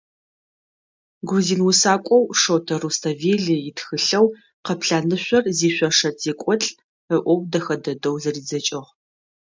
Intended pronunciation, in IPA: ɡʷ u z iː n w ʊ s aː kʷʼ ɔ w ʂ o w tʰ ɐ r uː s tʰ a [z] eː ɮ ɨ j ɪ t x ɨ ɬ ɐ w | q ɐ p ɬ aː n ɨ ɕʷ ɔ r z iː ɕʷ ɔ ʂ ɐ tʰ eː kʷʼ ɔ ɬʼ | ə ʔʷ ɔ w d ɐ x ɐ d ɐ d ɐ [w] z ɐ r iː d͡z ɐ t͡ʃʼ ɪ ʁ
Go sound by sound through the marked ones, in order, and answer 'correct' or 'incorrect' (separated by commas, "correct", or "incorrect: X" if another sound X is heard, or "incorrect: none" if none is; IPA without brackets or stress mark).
incorrect: v, correct